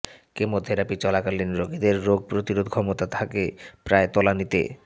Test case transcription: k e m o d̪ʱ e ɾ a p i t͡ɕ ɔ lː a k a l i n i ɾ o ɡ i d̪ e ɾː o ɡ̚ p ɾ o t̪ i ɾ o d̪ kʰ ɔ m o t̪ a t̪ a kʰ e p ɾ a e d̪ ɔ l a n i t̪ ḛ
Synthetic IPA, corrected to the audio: k e m o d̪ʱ e ɾ a p i t͡ɕ ɔ l a k a l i n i ɾ o ɡ i d̪ e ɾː o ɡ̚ p ɾ o t̪ i ɾ o d̪ kʰ ɔ m o t̪ a t̪ʰ a k e p ɾ a e t̪ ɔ l a n i t̪ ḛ